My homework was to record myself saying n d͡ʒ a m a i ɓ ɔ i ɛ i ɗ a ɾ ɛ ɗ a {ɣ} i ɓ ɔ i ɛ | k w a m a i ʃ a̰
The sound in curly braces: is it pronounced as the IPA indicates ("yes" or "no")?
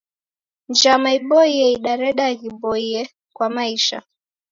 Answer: yes